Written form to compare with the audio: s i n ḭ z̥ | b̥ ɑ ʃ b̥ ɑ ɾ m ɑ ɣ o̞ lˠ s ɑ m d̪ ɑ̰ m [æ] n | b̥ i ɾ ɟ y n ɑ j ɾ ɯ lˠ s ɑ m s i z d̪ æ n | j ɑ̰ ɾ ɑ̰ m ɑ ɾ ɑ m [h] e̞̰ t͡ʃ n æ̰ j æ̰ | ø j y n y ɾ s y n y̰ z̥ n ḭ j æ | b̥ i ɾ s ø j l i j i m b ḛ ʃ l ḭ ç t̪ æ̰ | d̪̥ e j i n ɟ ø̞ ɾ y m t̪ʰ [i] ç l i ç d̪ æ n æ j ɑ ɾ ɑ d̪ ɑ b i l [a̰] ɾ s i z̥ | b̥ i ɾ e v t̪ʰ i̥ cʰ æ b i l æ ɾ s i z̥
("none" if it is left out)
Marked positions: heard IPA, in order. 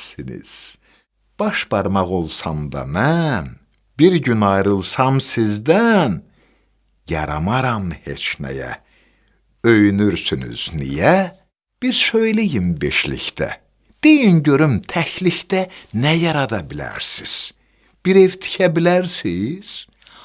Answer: æ, h, æ, æ̰

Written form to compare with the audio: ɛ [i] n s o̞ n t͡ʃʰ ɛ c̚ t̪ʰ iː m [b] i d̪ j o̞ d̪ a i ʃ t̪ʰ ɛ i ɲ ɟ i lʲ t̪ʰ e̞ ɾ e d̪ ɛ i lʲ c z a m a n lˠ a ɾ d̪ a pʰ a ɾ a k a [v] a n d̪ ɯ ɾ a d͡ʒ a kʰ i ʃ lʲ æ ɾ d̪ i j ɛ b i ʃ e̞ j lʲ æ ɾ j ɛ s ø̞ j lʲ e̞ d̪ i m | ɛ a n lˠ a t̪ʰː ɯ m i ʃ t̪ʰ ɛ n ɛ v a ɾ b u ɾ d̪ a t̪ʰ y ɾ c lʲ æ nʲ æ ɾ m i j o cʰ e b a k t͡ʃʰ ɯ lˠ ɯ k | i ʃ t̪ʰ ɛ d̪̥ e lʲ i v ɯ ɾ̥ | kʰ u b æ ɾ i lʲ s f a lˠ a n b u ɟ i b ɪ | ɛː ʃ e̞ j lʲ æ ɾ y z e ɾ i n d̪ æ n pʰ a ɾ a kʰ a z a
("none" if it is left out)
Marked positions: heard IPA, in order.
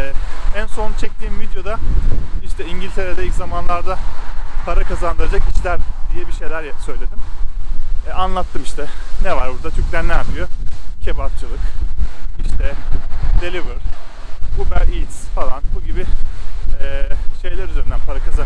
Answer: æ, v, z

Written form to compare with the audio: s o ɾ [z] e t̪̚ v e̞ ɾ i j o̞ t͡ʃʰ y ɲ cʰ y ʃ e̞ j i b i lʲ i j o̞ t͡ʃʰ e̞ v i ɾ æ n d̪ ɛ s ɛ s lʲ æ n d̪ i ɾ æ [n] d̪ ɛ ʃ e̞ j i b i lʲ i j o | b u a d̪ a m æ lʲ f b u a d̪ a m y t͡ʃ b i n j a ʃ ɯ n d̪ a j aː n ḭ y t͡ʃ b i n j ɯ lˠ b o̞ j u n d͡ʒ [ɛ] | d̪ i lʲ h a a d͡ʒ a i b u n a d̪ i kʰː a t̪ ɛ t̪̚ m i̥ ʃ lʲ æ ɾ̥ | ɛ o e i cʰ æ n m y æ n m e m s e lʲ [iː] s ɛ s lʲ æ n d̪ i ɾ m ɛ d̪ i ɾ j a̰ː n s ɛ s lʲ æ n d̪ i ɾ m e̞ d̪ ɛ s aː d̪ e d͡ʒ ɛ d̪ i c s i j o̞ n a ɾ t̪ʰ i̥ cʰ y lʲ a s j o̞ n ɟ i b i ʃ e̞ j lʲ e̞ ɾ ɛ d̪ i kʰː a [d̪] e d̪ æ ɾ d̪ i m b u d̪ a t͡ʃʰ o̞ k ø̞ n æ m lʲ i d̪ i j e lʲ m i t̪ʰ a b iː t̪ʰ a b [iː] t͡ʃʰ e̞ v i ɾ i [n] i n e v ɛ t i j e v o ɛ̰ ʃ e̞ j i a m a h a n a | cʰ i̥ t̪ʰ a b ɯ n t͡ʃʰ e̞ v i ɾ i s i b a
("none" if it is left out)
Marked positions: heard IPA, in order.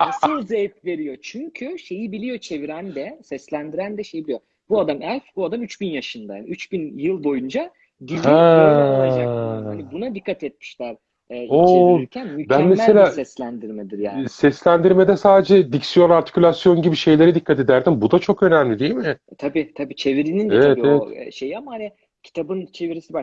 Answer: z, n, a, aː, t̪, iː, n

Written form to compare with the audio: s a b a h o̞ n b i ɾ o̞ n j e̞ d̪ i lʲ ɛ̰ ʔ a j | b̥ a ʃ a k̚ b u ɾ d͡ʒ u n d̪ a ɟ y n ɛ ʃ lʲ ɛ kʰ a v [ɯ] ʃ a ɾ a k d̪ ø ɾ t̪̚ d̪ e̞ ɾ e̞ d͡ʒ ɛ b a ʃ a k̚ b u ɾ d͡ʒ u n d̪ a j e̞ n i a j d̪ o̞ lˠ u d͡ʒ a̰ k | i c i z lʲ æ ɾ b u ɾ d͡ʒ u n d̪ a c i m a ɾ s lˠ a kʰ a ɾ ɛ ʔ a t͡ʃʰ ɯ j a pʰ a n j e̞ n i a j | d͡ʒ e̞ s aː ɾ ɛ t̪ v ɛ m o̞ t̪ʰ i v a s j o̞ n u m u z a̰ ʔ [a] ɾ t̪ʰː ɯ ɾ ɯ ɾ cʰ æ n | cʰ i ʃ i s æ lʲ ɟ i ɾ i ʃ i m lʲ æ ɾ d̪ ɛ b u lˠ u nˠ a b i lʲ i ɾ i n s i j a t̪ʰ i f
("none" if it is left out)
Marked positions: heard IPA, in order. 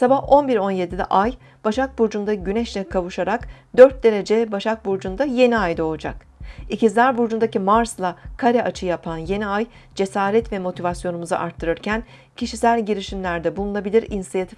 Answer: u, a

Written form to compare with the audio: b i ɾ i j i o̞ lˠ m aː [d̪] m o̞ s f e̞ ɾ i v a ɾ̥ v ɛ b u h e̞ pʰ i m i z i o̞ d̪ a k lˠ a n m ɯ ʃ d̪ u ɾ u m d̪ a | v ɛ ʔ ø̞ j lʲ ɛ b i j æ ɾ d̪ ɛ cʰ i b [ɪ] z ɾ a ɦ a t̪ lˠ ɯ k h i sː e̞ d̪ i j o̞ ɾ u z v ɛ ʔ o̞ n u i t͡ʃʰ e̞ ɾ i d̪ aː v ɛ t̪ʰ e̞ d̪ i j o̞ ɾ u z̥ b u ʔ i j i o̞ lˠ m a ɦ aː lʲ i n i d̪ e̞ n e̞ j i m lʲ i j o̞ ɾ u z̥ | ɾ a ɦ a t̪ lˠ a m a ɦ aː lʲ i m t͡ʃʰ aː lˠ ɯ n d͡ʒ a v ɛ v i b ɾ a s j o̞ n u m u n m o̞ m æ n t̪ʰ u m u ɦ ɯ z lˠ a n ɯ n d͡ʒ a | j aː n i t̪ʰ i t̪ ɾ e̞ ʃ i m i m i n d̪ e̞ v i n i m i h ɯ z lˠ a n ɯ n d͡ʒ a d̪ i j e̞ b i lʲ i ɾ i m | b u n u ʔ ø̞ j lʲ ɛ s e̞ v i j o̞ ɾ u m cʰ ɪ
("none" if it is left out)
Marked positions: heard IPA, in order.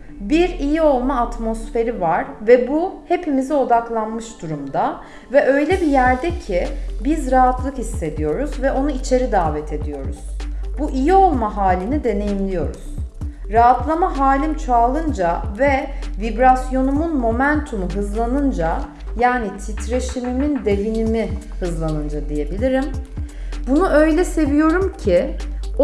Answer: t̪, i

